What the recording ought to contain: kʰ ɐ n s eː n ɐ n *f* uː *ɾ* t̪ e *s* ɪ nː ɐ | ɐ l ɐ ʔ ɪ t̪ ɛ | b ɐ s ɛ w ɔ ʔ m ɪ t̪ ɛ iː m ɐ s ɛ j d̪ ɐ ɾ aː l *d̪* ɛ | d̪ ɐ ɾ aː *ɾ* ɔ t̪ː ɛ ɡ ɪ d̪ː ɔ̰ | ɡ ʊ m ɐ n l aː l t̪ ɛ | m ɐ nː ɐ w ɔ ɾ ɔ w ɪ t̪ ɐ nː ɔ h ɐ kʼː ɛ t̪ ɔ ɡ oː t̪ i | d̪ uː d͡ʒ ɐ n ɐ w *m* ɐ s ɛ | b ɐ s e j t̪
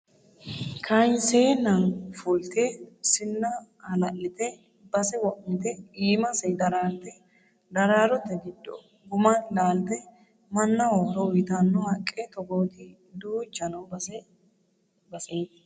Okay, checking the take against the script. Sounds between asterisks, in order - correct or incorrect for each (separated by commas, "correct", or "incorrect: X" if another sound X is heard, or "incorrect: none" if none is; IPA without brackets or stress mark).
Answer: correct, incorrect: l, correct, incorrect: t̪, correct, incorrect: b